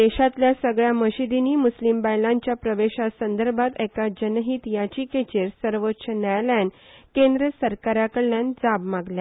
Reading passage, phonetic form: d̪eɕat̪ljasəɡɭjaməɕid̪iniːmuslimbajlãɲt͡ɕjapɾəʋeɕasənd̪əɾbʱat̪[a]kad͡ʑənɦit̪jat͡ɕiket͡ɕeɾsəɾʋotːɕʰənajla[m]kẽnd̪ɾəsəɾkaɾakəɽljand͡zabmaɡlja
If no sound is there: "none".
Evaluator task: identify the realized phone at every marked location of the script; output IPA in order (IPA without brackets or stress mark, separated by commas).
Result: ɛ, n